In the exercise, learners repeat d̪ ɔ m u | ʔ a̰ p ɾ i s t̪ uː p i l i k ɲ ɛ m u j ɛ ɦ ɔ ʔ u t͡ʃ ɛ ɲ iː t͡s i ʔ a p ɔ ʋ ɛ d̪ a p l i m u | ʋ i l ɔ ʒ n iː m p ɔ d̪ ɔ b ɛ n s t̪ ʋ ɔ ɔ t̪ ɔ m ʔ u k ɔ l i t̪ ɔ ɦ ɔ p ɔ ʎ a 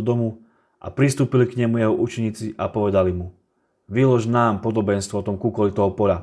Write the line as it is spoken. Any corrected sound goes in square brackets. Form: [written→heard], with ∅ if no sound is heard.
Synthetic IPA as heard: d̪ ɔ m u | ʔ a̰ p ɾ i s t̪ uː p i l i k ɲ ɛ m u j ɛ ɦ ɔ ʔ u t͡ʃ ɛ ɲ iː t͡s i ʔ a p ɔ ʋ ɛ d̪ a [p→∅] l i m u | ʋ i l ɔ ʒ n [iː→aː] m p ɔ d̪ ɔ b ɛ n s t̪ ʋ ɔ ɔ t̪ ɔ m [ʔ→k] u k ɔ l i t̪ ɔ ɦ ɔ p ɔ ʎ a